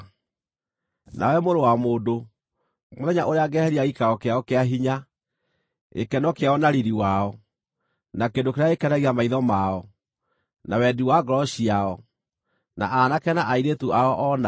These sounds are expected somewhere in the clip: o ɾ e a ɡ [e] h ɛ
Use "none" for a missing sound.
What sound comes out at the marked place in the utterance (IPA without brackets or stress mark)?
ɛ